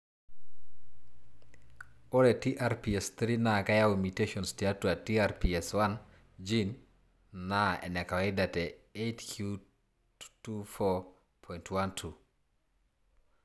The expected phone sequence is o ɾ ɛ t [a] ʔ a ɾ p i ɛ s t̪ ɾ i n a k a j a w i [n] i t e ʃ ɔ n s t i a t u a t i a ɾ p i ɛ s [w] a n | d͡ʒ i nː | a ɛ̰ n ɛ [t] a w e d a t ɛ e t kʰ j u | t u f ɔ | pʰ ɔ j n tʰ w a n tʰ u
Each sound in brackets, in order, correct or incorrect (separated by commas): incorrect, incorrect, correct, incorrect